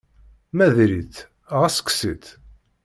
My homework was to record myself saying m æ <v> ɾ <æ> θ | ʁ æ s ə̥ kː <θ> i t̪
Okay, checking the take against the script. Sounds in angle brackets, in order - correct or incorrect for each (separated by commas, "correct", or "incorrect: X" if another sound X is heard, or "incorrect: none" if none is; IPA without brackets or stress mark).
incorrect: ð, incorrect: i, incorrect: s